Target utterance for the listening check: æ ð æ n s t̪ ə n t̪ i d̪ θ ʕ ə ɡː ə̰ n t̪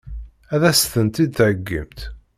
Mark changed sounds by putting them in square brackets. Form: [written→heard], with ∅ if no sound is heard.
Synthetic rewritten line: æ ð æ [n→∅] s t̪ ə n t̪ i d̪ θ ʕ ə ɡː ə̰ [n→m] t̪